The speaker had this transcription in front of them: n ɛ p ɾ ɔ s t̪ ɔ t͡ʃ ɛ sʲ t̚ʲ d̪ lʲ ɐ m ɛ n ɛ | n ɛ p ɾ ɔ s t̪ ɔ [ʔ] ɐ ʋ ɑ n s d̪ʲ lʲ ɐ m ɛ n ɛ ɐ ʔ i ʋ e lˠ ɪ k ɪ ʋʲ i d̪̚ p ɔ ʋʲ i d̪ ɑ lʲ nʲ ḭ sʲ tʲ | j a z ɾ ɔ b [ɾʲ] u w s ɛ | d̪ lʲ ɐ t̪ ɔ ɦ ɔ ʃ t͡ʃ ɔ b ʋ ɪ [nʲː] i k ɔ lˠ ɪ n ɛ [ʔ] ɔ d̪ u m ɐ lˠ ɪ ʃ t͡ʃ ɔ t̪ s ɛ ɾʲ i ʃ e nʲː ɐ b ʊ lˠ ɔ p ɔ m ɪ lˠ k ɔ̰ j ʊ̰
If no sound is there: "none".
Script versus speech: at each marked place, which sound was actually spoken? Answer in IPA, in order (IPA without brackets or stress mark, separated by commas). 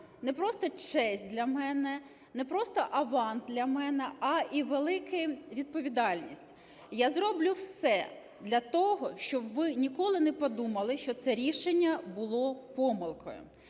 ʔ, lʲ, nʲ, p